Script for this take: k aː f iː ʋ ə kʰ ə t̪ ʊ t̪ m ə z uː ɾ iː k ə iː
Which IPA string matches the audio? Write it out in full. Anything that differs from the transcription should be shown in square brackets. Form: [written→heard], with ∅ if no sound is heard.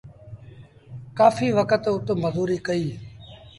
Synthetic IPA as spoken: k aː f iː ʋ ə [kʰ→k] ə t̪ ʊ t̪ m ə z uː ɾ iː k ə iː